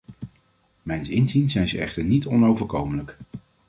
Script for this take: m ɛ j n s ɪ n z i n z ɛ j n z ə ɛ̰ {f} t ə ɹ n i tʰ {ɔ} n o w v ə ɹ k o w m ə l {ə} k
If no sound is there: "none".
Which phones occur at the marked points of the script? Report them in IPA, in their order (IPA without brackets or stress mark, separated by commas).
χ, ɔ, ə